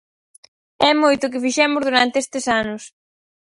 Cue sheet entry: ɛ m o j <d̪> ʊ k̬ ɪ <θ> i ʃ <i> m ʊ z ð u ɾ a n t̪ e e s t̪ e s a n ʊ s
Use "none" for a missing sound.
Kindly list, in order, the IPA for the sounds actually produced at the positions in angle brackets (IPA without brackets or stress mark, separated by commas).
t̪, f, ɛ